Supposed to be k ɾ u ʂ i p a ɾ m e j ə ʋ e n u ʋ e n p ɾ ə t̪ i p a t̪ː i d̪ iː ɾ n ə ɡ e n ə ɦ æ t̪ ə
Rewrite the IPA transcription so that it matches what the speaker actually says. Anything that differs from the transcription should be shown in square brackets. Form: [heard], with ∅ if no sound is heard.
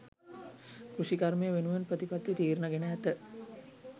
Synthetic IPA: k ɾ u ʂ i [k] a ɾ m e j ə ʋ e n u ʋ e n p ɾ ə t̪ i p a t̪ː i [t̪] iː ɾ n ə ɡ e n ə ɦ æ t̪ ə

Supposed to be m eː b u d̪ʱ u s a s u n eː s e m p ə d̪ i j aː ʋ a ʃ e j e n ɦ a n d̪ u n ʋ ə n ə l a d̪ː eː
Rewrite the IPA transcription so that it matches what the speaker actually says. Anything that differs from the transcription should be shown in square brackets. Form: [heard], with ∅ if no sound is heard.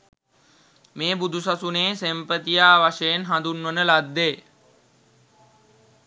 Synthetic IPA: m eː b u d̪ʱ u s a s u n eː s e m p ə [t̪] i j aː ʋ a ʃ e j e n ɦ a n d̪ u n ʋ ə n ə l a d̪ː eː

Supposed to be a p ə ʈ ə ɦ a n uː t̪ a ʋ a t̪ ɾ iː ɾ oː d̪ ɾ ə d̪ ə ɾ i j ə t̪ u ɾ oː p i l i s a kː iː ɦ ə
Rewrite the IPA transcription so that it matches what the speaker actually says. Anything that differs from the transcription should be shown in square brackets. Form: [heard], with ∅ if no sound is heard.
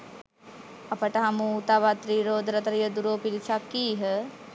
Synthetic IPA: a p ə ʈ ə ɦ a [m] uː t̪ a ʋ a t̪ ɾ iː ɾ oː d̪ ɾ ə [t̪] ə ɾ i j ə [d̪] u ɾ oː p i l i s a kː iː ɦ ə

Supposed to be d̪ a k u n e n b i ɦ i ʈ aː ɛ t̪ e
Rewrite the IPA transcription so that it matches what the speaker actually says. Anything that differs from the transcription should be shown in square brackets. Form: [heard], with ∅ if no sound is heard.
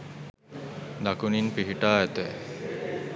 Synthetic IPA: d̪ a k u n [i] n [p] i ɦ i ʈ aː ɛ t̪ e

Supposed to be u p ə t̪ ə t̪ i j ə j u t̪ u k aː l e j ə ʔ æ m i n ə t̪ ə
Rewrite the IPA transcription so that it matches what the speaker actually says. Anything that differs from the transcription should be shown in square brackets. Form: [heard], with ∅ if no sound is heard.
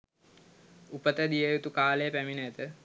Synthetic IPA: u p ə t̪ ə [d̪] i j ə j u t̪ u k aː l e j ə [p] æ m i n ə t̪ ə

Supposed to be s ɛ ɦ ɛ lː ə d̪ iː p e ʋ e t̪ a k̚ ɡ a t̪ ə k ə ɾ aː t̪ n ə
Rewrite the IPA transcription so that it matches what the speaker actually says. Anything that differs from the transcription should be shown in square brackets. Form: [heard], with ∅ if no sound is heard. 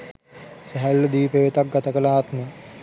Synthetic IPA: s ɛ ɦ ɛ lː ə d̪ iː p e ʋ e t̪ a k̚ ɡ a t̪ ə k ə [l] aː t̪ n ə

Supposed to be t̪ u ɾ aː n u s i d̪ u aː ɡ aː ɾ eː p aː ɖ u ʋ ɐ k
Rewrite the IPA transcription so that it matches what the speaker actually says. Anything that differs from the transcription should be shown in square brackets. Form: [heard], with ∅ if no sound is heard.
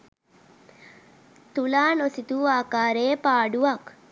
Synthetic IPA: t̪ u [l] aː n [o] s i [t̪] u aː [k] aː ɾ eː p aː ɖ u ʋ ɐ k

